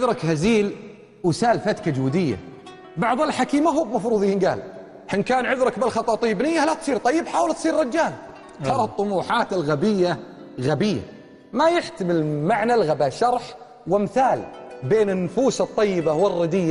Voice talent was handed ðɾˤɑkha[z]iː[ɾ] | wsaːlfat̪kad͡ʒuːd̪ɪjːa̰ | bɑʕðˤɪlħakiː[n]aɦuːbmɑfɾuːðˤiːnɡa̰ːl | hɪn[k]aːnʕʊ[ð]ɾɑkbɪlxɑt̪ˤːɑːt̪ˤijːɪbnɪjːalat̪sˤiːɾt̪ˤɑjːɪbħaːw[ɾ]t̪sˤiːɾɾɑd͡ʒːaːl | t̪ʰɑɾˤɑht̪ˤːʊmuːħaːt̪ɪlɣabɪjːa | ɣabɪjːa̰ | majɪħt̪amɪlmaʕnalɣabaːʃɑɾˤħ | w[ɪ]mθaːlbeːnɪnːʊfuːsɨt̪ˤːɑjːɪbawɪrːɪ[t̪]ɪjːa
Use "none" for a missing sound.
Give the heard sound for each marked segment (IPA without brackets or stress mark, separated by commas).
z, l, m, k, ð, l, ɪ, d̪